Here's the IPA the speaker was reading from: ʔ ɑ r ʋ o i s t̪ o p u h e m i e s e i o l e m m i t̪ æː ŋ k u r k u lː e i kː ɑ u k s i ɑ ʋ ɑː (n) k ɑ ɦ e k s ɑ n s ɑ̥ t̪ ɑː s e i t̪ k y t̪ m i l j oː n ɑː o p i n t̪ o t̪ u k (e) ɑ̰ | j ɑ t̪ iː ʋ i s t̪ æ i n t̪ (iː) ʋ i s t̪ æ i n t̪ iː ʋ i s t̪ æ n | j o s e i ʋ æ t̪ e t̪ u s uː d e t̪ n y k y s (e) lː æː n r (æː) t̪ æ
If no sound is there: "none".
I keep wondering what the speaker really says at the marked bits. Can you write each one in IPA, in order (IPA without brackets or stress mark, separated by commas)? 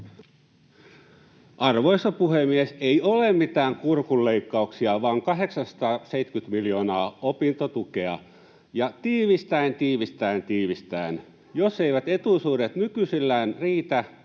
ŋ, e, iː, i, iː